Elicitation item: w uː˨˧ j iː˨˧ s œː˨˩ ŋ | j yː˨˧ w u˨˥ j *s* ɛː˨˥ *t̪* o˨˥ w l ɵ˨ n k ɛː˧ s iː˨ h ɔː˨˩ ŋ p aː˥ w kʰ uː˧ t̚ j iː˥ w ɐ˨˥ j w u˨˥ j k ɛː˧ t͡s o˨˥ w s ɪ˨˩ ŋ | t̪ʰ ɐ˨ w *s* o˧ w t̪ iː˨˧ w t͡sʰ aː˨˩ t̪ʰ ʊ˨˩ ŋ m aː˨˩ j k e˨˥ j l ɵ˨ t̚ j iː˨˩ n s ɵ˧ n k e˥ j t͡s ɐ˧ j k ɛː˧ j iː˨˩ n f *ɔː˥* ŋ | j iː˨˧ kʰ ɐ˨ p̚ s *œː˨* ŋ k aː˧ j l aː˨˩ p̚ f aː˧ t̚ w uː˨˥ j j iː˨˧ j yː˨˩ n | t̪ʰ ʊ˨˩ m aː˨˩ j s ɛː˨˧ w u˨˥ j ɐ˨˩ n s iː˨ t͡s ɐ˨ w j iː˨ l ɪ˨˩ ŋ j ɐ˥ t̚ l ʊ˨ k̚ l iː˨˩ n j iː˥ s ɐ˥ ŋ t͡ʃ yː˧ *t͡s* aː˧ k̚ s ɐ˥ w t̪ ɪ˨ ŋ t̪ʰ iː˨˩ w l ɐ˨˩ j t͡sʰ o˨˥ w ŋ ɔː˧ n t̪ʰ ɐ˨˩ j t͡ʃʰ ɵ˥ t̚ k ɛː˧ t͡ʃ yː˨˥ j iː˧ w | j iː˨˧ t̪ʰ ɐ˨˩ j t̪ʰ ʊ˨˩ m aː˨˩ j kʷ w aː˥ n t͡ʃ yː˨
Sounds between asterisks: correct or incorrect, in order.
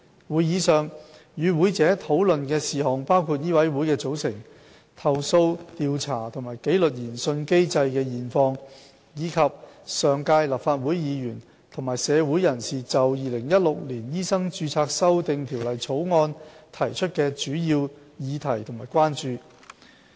incorrect, incorrect, correct, incorrect, correct, incorrect

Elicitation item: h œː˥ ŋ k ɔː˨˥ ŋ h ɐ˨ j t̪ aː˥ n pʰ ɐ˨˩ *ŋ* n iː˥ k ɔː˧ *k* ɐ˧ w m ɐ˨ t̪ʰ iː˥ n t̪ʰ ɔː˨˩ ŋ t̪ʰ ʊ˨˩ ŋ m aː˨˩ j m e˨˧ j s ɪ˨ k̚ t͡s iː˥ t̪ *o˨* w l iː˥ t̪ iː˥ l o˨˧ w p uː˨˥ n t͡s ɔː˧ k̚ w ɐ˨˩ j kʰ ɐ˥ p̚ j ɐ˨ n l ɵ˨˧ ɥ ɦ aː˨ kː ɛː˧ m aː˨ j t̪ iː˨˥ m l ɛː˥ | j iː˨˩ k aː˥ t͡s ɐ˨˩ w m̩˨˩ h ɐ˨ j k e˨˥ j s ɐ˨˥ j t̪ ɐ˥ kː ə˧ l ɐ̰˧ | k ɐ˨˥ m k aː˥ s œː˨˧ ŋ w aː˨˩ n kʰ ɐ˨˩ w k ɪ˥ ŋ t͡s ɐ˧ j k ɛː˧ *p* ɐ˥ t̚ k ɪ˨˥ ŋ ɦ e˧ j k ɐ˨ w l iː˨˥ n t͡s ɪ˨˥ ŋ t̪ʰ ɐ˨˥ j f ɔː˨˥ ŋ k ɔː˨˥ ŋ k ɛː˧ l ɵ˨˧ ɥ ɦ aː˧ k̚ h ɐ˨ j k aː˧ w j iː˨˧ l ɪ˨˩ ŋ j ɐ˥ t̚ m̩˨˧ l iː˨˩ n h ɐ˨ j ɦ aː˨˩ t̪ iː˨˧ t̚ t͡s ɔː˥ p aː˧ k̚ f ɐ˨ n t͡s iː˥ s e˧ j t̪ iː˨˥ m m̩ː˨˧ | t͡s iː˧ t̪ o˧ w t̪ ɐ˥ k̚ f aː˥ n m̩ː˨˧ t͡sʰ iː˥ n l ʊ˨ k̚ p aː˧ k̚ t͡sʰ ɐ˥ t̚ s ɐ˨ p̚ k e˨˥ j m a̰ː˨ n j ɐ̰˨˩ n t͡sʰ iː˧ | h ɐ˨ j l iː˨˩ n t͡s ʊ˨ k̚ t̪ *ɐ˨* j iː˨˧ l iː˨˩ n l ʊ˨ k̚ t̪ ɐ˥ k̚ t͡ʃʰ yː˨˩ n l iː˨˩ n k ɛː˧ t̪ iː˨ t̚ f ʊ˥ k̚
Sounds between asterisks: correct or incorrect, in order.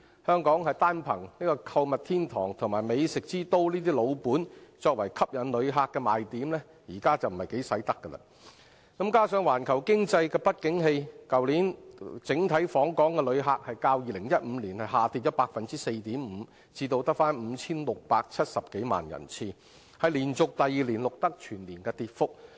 correct, incorrect, incorrect, correct, correct

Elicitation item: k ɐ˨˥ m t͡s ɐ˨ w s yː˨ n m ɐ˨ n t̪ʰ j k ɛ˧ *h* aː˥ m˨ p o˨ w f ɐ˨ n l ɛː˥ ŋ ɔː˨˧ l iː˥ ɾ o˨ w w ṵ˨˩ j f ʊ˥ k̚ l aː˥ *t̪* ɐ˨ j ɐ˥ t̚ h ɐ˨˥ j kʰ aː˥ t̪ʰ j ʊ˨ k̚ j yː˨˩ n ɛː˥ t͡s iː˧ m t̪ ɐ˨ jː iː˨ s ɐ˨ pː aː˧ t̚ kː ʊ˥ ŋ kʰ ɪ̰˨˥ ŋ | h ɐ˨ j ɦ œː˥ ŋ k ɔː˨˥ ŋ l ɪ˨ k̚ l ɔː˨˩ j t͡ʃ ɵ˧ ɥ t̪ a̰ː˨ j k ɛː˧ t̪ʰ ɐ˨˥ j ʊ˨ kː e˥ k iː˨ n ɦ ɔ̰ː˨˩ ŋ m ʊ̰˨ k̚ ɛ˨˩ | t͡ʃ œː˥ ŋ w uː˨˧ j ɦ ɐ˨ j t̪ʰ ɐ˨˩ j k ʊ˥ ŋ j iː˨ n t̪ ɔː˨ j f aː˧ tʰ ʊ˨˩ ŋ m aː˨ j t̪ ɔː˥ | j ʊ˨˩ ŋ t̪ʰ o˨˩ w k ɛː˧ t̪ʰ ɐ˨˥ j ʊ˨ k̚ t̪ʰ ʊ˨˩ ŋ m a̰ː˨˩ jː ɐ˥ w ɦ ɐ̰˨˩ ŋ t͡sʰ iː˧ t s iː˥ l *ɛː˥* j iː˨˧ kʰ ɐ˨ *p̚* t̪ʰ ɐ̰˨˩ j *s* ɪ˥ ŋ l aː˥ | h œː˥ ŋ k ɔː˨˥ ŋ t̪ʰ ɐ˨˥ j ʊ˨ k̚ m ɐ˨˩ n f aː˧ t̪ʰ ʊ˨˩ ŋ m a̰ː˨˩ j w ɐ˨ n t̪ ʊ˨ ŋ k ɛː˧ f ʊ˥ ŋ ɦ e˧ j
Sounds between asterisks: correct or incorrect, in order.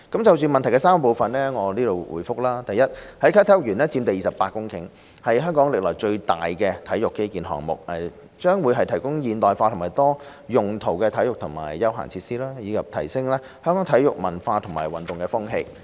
incorrect, correct, incorrect, correct, correct

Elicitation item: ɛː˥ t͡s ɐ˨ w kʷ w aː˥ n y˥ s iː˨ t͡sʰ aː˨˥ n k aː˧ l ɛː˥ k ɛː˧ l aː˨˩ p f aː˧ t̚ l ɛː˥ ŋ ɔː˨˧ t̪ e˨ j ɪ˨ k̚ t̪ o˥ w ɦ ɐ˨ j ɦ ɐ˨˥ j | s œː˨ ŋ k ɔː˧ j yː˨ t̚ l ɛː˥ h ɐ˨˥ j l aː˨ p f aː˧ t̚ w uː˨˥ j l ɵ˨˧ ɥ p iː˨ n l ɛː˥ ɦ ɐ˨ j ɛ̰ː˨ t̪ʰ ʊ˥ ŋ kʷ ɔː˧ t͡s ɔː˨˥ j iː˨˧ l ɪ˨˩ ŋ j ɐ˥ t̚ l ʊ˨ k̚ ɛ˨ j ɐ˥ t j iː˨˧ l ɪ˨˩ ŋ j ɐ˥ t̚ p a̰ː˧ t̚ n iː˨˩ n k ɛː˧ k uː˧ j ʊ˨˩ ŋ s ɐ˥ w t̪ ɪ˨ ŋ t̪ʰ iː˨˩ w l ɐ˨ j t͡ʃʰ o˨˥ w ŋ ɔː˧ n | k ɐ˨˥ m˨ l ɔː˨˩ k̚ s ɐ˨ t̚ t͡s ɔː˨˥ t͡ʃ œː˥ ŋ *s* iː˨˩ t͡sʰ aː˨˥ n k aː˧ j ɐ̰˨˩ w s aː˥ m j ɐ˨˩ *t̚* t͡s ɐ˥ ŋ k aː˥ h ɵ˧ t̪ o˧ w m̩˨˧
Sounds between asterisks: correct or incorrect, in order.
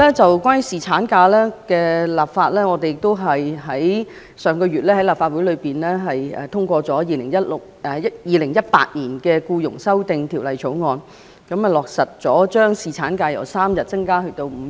correct, correct

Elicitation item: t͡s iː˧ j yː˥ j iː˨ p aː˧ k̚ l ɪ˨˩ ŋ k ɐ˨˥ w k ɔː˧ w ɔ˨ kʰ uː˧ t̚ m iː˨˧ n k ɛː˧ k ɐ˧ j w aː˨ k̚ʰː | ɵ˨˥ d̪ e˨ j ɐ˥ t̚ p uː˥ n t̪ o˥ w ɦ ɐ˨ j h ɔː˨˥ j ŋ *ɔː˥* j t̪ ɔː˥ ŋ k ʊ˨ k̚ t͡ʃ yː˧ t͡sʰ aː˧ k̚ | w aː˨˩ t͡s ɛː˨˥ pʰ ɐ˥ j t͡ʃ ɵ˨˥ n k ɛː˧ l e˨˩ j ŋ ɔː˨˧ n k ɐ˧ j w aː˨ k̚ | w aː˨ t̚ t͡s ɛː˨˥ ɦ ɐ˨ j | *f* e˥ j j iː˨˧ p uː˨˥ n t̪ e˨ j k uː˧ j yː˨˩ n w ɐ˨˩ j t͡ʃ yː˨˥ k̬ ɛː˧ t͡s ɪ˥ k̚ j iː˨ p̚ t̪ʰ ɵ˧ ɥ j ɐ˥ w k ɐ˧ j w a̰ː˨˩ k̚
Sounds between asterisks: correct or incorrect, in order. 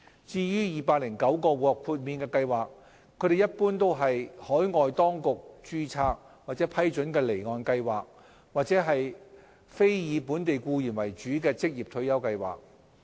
incorrect, correct

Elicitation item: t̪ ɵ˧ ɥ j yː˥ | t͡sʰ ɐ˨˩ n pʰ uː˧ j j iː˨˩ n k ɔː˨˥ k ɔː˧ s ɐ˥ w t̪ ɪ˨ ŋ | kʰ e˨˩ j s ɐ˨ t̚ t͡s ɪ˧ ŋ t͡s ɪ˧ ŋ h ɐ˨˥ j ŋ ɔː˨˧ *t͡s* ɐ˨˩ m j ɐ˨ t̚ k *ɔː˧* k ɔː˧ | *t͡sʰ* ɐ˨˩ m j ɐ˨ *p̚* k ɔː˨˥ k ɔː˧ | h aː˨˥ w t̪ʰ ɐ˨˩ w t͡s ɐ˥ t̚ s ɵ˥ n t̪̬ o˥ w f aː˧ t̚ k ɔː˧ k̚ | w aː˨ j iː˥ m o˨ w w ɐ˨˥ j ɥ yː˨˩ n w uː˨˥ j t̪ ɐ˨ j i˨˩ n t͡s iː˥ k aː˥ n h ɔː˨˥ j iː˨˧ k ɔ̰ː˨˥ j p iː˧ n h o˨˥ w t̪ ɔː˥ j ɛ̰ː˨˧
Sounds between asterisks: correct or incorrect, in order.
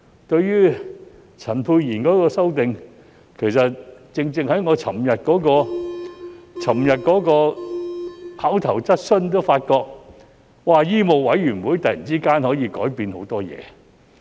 incorrect, incorrect, correct, incorrect

